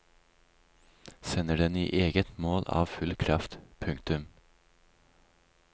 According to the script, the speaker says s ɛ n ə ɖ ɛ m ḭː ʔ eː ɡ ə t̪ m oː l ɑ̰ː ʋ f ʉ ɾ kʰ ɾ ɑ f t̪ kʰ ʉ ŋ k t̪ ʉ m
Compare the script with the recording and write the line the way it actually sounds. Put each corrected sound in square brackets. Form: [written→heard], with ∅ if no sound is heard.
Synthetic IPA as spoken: s ɛ n ə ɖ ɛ [m→n] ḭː ʔ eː ɡ ə t̪ m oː l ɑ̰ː ʋ f ʉ [ɾ→l] kʰ ɾ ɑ f t̪ [kʰ→pʰ] ʉ ŋ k t̪ ʉ m